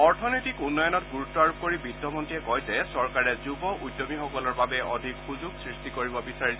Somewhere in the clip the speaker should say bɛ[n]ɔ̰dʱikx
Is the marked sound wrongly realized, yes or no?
yes